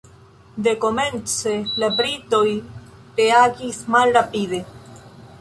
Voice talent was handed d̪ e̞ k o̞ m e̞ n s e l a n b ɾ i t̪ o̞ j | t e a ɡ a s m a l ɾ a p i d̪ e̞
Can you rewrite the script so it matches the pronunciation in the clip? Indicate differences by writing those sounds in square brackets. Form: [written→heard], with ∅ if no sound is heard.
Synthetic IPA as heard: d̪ e̞ k o̞ m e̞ n [s→t͡s] e l a [n→∅] b ɾ i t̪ o̞ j | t e a ɡ [a→i] s m a l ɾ a p i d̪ e̞